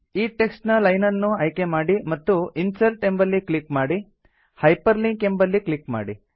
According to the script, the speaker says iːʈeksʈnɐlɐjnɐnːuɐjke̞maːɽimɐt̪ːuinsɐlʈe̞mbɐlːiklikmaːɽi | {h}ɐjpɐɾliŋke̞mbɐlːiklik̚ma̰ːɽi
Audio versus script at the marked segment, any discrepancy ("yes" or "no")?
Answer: no